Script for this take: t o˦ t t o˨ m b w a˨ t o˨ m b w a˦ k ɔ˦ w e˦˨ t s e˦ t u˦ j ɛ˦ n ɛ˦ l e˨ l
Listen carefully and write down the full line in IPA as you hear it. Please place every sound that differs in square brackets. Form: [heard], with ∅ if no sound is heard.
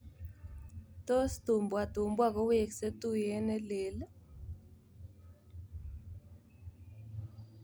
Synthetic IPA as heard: t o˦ [s] t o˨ m b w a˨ t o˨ m b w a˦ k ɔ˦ w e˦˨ [k] s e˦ t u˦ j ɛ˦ n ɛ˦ l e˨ l

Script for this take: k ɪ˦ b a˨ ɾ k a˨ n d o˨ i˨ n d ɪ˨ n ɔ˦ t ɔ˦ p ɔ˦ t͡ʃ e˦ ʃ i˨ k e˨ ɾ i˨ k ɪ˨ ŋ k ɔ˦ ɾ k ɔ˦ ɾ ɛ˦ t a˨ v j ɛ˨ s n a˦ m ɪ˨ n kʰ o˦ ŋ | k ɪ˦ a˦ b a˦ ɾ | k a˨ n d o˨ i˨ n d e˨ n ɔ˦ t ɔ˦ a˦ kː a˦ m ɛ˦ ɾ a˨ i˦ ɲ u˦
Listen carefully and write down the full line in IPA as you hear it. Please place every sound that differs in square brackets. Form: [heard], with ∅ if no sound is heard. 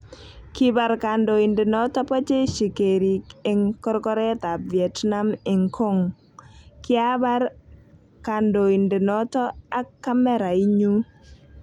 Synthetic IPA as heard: k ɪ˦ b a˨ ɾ k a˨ n d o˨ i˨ n d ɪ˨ n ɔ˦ t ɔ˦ p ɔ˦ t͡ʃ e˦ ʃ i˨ k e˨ ɾ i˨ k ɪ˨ ŋ k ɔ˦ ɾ k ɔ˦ ɾ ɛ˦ t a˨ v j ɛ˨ [t] n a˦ m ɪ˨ [ŋ] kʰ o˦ ŋ | k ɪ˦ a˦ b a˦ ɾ | k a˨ n d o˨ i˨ n d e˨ n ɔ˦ t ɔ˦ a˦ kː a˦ m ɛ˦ ɾ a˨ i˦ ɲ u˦

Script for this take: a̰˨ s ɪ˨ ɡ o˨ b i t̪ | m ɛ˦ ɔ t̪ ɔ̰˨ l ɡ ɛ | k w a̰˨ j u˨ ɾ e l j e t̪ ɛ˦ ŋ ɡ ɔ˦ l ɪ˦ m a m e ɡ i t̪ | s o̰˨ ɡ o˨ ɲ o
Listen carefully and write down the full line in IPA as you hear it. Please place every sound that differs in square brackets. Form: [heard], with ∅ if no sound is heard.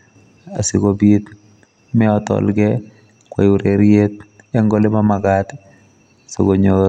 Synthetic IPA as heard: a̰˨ s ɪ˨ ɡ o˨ b i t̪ | m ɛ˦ ɔ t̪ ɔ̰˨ l ɡ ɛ | k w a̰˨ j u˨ ɾ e [ɾ] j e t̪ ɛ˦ ŋ ɡ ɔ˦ l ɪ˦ m a m [a] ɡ [a] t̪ | s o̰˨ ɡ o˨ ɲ o

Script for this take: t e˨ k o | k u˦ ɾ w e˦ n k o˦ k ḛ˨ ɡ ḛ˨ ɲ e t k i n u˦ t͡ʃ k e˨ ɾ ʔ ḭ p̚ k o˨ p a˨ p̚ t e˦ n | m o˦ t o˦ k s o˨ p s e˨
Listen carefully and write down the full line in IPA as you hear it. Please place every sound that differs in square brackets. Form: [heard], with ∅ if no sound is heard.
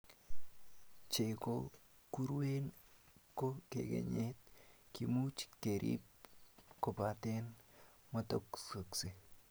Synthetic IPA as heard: [t͡ʃ] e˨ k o | k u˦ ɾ w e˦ n k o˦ k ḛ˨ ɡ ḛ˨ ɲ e t k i [m] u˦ t͡ʃ k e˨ ɾ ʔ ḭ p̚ k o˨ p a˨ [∅] t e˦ n | m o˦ t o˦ k s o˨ [k] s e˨

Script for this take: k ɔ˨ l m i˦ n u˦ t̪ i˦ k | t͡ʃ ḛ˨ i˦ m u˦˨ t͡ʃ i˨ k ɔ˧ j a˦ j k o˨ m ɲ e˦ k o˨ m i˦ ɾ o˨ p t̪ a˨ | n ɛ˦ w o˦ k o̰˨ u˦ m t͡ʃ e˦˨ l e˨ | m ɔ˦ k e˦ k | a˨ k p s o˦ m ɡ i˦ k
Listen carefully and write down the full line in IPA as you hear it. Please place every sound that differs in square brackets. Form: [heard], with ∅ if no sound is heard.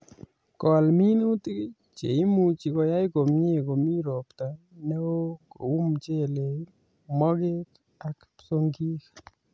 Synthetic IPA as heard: k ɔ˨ l m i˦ n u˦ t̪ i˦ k | t͡ʃ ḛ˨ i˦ m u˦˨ t͡ʃ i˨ k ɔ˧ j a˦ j k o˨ m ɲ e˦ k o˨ m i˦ ɾ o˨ p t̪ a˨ | n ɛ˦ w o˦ k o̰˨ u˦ m t͡ʃ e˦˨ l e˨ | m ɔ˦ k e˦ k | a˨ k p s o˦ [ŋ] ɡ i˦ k

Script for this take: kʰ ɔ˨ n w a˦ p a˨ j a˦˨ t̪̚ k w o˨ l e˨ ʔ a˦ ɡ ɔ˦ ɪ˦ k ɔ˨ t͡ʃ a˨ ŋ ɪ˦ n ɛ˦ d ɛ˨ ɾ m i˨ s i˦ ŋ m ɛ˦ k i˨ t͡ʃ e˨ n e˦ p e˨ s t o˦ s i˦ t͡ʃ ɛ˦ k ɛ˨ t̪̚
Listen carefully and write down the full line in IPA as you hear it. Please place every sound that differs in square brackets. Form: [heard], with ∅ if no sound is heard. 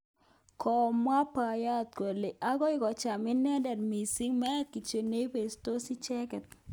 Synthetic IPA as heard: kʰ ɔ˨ [m] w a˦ p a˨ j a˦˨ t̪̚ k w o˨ l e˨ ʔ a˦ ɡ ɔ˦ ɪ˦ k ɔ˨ t͡ʃ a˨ [m] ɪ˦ n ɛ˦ d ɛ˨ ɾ m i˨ s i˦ ŋ m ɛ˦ k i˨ t͡ʃ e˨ n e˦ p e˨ s t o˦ s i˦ t͡ʃ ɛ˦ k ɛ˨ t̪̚

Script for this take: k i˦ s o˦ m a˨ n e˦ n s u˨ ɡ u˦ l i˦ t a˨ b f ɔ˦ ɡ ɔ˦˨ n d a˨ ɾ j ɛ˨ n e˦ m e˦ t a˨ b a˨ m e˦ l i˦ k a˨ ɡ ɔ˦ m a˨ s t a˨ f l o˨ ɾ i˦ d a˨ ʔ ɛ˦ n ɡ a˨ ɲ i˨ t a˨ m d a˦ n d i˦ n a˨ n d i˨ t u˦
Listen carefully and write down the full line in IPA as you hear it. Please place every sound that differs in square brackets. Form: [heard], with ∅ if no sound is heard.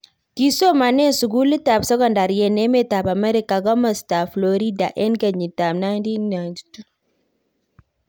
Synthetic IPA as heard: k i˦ s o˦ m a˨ n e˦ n s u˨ ɡ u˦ l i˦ t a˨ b [s] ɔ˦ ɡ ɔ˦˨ n d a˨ ɾ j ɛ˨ n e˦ m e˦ t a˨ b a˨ m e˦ [ɾ] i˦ k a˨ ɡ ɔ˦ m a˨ s t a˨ f l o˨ ɾ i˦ d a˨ ʔ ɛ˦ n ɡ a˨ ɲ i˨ t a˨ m [n] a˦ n d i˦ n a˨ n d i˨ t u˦

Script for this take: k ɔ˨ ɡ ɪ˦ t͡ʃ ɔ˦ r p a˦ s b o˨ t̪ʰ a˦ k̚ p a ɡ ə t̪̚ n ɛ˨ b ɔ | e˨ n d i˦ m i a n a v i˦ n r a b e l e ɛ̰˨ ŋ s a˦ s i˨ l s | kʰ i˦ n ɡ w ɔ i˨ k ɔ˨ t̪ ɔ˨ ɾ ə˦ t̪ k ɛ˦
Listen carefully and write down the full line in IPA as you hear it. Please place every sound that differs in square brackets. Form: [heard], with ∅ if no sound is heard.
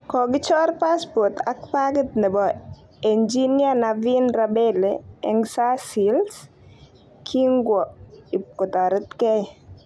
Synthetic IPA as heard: k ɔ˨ ɡ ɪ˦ t͡ʃ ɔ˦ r p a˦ s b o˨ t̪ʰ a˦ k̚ p a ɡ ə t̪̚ n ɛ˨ b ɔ | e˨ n [d͡ʒ] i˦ [n] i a n a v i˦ n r a b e l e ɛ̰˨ ŋ s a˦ s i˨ l s | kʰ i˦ [ŋ] ɡ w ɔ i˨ k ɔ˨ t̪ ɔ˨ ɾ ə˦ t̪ k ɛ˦

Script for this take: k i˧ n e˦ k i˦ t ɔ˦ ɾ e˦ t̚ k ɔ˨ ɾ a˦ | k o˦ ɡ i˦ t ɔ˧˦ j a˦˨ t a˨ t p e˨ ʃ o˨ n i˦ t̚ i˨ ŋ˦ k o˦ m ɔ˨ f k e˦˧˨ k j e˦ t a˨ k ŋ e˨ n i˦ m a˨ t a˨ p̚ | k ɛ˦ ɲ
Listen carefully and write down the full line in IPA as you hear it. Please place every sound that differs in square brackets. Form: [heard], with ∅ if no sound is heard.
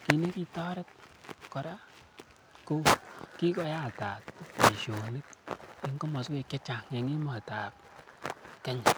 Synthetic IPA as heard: k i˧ n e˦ k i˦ t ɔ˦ ɾ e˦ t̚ k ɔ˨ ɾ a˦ | k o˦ [k] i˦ [k] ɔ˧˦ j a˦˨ t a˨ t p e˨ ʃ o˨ n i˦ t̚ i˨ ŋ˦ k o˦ m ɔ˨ [s] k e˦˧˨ k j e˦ [t͡ʃ] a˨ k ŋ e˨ [ŋ] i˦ m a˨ t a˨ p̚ | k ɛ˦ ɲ

